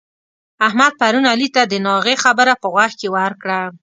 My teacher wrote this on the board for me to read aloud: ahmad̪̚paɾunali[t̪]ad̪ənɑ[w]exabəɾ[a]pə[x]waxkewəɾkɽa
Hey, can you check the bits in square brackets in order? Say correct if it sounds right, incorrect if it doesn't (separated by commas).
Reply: correct, incorrect, correct, incorrect